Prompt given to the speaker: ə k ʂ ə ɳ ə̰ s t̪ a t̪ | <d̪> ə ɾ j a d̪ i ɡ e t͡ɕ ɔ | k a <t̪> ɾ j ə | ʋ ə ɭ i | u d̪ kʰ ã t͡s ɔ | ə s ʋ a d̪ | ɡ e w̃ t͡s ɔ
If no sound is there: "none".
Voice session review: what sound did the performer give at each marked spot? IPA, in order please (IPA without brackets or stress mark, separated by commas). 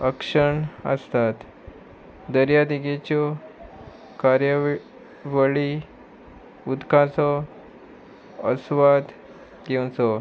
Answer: d̪, none